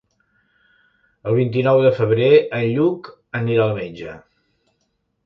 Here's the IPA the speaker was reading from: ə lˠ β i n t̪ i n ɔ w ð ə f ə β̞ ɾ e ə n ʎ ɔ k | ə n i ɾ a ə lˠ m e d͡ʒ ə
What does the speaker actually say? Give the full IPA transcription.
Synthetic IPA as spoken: ə lˠ β i n t̪ i n ɔ w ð ə f ə β̞ ɾ e ə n ʎ u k | ə n i ɾ a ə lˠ m e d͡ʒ ə